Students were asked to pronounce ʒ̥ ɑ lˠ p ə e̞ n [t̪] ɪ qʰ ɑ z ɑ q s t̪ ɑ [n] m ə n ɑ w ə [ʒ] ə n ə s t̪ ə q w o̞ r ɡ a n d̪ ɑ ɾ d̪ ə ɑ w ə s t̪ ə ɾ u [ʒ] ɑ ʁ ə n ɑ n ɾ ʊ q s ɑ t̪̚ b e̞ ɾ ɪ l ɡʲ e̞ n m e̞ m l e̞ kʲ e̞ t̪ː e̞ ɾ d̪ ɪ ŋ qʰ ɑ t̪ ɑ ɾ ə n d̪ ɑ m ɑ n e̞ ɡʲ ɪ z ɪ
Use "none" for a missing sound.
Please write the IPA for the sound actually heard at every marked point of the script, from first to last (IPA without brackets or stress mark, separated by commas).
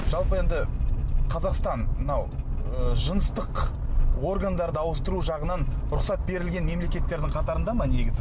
d̪, n, ʒ, ʒ